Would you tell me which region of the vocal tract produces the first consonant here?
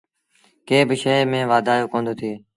velum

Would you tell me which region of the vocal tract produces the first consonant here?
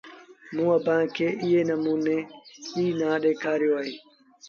lips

